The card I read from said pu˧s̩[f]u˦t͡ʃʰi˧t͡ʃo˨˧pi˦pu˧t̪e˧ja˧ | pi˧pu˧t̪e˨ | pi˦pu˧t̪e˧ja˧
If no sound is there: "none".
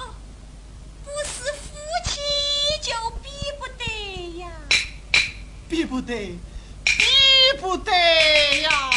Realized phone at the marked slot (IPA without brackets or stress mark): f